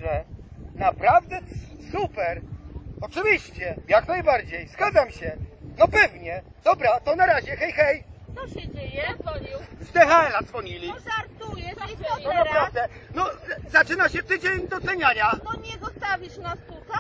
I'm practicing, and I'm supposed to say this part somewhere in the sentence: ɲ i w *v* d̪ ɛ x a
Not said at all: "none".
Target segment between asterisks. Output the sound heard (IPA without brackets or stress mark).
z